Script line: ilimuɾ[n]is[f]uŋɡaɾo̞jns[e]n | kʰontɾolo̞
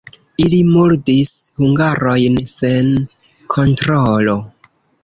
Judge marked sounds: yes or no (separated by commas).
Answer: no, no, yes